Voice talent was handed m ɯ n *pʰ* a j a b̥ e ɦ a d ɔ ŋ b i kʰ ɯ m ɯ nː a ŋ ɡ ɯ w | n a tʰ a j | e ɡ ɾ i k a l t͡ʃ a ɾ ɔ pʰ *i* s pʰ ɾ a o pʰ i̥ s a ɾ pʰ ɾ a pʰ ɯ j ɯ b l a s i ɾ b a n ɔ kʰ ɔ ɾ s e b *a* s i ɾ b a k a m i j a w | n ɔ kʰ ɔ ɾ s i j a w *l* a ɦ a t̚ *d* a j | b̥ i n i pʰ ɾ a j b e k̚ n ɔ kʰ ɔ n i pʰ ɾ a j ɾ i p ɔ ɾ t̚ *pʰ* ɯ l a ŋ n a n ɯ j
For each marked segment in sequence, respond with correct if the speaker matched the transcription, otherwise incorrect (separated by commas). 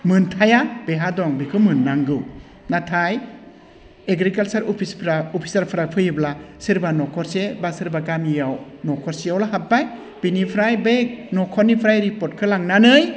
incorrect, correct, correct, correct, incorrect, incorrect